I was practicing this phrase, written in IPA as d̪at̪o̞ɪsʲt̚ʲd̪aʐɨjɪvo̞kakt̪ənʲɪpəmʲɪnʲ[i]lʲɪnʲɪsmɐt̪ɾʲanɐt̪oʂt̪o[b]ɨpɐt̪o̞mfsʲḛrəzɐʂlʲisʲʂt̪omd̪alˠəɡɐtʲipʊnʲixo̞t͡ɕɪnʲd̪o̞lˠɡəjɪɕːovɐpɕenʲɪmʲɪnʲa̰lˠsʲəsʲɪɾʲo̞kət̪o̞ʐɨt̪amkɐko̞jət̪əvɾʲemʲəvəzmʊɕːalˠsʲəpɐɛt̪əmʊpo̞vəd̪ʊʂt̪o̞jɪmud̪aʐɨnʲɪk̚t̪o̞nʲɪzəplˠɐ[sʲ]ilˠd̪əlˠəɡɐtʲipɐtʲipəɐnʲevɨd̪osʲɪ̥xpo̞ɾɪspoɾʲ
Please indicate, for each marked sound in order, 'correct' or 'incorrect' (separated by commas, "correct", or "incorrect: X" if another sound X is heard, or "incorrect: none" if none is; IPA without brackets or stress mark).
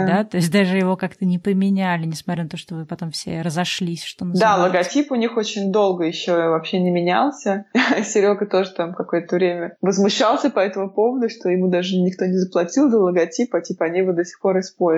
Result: incorrect: æ, incorrect: v, incorrect: tʲ